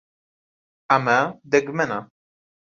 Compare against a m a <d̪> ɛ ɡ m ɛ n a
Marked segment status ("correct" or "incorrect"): correct